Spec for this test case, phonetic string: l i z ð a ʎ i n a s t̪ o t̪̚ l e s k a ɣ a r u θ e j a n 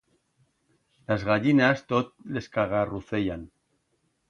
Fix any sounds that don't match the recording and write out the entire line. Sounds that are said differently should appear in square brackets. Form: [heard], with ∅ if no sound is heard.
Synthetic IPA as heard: l [a] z [ɣ] a ʎ i n a s t̪ o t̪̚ l e s k a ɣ a r u θ e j a n